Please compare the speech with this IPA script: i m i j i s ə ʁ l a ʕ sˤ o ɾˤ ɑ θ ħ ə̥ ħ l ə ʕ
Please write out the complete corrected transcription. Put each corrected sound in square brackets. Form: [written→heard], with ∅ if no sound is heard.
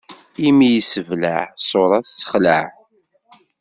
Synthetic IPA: i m i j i s ə [ʁ→v] l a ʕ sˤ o ɾˤ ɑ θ [ħ→s] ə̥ [ħ→χ] l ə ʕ